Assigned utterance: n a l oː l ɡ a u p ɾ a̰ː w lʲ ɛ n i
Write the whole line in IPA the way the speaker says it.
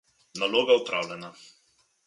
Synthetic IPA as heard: n a l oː ɡ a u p ɾ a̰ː w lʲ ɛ n a